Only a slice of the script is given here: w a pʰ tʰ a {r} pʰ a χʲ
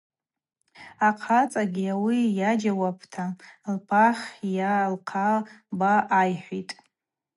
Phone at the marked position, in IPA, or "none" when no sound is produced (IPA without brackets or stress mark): l